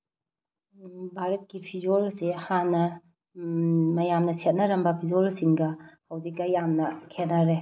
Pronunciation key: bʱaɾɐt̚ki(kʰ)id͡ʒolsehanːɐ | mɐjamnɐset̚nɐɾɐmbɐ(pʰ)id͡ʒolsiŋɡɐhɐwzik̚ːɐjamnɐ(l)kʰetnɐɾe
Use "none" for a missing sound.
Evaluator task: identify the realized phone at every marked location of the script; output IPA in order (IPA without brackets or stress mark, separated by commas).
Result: pʰ, pʰ, none